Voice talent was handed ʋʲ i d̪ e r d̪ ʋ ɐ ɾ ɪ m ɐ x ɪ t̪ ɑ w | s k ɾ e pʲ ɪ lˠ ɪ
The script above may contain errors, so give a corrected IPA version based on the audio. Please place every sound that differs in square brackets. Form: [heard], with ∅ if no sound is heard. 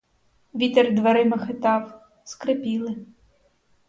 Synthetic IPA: ʋʲ i [t̪] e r d̪ ʋ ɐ ɾ ɪ m ɐ x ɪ t̪ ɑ w | s k ɾ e pʲ [i] lˠ ɪ